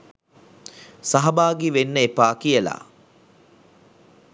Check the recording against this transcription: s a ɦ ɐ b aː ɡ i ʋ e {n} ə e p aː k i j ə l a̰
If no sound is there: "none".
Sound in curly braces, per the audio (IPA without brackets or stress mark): nː